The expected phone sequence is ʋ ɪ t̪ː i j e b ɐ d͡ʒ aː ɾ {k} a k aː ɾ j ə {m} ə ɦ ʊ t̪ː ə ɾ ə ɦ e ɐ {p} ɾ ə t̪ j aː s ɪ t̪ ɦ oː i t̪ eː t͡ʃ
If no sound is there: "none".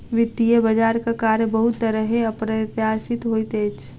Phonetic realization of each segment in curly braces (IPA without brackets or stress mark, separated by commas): k, b, p